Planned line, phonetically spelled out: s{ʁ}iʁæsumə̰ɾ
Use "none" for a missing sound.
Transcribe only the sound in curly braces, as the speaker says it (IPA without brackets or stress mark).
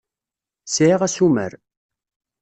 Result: ʕ